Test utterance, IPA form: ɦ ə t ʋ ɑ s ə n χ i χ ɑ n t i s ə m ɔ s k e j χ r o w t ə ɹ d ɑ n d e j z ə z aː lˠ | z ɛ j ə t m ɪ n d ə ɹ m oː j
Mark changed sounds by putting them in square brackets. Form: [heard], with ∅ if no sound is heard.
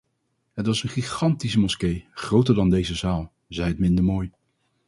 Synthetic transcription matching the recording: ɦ ə t ʋ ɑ s ə n χ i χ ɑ n t i s ə m ɔ s k e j χ r o w t ə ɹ d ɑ n d e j z ə z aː lˠ | z ɛ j ə t m ɪ n d ə ɹ m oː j